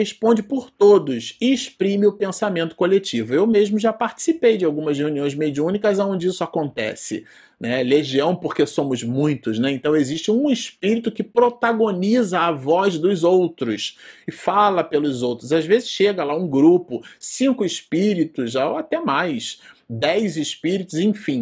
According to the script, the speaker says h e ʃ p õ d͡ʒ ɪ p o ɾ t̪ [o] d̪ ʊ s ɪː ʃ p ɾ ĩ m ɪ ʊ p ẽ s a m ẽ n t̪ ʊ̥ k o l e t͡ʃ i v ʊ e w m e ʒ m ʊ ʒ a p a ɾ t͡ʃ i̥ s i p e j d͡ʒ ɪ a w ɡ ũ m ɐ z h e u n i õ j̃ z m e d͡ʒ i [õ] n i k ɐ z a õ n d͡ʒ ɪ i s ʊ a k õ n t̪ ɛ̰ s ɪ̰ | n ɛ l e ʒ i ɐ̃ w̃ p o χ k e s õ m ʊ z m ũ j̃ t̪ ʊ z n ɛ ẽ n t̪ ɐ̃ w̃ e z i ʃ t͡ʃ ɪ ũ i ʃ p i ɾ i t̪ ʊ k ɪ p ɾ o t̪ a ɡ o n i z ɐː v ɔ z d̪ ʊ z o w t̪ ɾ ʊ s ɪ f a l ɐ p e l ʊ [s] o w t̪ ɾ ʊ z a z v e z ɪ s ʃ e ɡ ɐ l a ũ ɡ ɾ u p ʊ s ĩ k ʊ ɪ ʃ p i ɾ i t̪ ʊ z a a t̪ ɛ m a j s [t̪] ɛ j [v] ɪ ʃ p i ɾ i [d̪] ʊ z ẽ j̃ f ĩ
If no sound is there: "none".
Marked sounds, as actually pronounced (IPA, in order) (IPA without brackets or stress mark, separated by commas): o, ũ, z, d̪, z, t̪